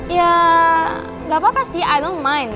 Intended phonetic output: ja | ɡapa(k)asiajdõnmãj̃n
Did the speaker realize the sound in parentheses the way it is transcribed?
no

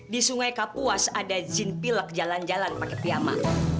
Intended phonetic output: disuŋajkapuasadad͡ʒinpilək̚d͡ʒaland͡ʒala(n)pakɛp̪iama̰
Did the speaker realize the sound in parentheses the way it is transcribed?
yes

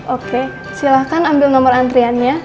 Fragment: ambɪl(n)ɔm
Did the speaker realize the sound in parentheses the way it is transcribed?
yes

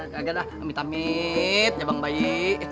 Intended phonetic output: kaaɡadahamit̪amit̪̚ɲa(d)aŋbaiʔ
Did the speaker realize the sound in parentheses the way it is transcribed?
no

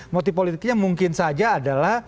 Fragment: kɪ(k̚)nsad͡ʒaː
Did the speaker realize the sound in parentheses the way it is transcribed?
no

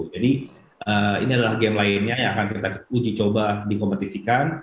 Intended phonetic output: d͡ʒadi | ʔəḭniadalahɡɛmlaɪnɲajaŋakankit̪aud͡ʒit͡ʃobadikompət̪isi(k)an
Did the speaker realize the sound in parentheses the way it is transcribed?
yes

